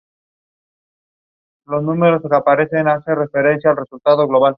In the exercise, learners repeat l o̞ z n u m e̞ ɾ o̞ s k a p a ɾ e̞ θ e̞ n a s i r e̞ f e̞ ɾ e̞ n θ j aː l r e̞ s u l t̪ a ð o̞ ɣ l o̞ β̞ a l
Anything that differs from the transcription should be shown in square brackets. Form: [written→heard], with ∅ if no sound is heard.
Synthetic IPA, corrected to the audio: l o̞ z n u m e̞ ɾ o̞ s k a p a ɾ e̞ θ e̞ n a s [i→e] r e̞ f e̞ ɾ e̞ n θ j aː l r e̞ s u l t̪ a ð o̞ ɣ l o̞ β̞ a l